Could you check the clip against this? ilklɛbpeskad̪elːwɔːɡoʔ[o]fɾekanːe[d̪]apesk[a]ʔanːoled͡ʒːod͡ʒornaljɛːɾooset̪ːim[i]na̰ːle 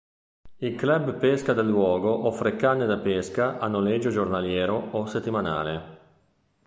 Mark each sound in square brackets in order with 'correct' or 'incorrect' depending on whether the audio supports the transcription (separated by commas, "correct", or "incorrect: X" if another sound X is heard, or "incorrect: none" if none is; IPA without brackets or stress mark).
incorrect: ɔ, correct, correct, incorrect: a